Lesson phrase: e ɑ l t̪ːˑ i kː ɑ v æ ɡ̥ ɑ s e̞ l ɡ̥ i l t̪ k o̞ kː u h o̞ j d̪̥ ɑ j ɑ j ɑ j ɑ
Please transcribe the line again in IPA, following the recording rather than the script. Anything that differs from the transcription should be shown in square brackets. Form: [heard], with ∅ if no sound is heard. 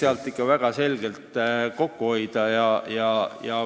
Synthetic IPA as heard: e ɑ l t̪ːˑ i kː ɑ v æ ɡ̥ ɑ s e̞ l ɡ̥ [e] l t̪ k o̞ kː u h o̞ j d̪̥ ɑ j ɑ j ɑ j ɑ